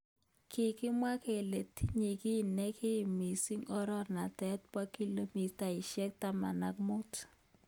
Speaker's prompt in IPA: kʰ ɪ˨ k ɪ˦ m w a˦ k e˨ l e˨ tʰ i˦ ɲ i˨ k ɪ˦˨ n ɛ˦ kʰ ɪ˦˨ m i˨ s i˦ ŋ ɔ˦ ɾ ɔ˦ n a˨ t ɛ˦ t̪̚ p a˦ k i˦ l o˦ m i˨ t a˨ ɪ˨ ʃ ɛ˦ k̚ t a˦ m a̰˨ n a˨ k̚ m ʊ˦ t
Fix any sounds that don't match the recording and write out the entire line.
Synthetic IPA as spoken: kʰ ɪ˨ k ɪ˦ m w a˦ k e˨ l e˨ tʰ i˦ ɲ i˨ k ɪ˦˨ n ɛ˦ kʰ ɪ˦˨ m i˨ s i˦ ŋ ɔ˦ ɾ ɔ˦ n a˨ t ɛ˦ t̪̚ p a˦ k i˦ l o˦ m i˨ t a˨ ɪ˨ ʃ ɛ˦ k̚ t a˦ m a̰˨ n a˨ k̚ m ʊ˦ t